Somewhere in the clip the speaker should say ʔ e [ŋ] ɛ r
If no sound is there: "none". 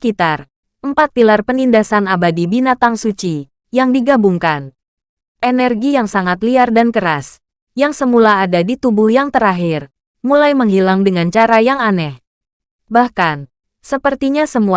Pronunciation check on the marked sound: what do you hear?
n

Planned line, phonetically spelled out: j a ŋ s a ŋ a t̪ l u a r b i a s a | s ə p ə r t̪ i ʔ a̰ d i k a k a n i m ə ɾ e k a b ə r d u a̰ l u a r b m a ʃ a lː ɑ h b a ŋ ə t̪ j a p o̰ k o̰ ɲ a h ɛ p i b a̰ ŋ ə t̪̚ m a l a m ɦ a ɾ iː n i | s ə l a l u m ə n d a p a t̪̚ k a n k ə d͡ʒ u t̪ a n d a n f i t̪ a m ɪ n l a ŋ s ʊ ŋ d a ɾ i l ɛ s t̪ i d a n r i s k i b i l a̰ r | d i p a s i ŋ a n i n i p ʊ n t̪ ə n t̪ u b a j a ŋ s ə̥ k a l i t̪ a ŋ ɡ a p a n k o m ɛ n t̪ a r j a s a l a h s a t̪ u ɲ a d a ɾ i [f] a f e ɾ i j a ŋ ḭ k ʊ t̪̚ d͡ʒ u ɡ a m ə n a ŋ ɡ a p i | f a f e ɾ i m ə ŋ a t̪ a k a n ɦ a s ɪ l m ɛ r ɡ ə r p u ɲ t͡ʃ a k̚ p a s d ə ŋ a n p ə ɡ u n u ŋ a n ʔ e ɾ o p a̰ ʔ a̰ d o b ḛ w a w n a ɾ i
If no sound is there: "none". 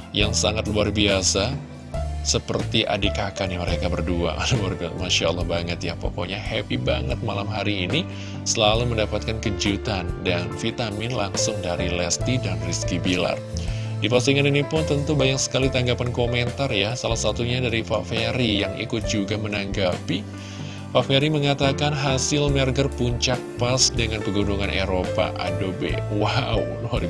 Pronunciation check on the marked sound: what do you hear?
f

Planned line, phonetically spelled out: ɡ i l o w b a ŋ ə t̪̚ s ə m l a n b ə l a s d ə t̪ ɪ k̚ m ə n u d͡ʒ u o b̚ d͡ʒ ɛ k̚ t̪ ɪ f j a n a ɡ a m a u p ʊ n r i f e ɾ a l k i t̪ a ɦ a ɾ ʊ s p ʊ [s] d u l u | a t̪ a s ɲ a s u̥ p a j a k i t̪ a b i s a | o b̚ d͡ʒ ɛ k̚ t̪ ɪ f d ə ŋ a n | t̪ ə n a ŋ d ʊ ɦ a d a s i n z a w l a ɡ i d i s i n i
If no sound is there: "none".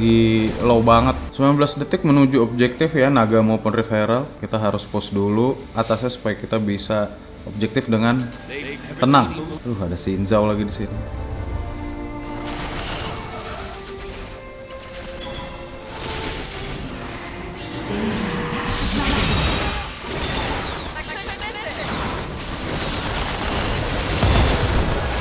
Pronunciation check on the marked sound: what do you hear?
s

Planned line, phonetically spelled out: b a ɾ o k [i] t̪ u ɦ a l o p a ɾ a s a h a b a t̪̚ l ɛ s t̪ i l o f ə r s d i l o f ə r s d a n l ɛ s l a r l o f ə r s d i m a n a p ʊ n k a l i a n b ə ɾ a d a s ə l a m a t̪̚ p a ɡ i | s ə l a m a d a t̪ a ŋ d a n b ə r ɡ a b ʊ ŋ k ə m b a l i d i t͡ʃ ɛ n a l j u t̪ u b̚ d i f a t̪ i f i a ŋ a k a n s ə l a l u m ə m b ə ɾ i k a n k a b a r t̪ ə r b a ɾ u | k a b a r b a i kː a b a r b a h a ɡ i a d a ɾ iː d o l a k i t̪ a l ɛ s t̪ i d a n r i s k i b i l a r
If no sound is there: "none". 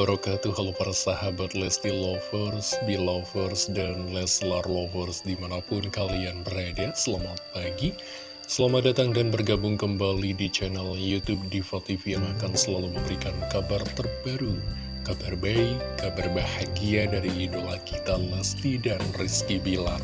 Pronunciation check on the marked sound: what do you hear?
a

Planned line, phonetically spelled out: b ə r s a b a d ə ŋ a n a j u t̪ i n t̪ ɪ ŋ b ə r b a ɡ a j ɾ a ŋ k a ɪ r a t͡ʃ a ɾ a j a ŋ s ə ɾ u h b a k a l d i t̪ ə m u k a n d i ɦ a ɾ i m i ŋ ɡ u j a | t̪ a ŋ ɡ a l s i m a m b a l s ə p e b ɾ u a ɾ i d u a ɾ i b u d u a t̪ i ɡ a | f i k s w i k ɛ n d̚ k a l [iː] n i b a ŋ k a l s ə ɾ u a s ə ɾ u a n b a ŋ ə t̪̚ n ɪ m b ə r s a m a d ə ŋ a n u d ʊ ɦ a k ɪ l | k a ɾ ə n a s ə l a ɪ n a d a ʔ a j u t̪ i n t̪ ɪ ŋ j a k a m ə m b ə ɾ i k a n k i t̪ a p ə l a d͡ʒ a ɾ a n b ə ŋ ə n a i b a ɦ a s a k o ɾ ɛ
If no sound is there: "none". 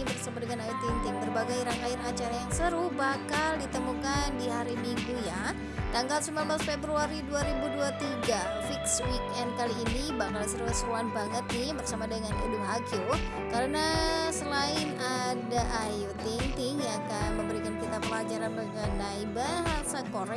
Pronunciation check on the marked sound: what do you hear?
iː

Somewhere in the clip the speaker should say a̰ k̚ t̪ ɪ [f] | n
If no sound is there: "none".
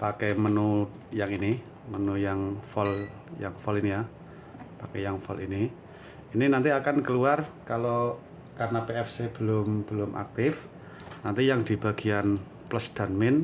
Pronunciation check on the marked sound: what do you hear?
f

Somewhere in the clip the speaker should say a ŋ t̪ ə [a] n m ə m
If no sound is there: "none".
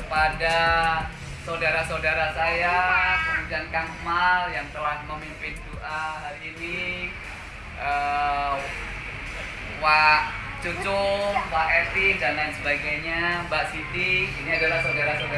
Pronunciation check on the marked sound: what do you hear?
a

